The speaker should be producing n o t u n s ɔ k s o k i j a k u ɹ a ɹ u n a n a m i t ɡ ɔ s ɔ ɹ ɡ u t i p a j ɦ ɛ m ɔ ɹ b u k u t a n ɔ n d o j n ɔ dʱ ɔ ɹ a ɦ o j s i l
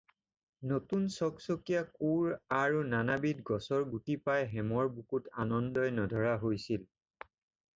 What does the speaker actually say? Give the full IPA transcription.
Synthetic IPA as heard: n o t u n s ɔ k s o k i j a k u ɹ a ɹ u n a n a b i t ɡ ɔ s ɔ ɹ ɡ u t i p a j ɦ ɛ m ɔ ɹ b u k u t a n ɔ n d ɔ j n ɔ dʱ ɔ ɹ a ɦ o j s i l